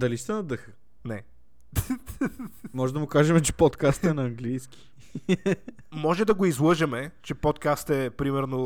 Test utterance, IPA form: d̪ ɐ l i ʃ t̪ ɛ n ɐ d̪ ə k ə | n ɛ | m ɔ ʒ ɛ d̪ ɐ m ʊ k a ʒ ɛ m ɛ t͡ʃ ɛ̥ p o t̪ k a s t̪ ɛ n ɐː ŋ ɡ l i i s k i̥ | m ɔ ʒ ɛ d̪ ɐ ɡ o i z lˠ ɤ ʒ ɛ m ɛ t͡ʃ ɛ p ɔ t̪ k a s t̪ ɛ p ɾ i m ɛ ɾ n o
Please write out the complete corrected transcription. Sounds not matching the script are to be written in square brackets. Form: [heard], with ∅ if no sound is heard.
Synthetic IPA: d̪ ɐ l i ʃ t̪ ɛ n ɐ d̪ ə [x] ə | n ɛ | m ɔ ʒ ɛ d̪ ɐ m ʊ k a ʒ ɛ m ɛ t͡ʃ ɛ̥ p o t̪ k a s t̪ ɛ n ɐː ŋ ɡ l i [j] s k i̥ | m ɔ ʒ ɛ d̪ ɐ ɡ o i z lˠ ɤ ʒ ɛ m ɛ t͡ʃ ɛ p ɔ t̪ k a s t̪ ɛ p ɾ i m ɛ ɾ n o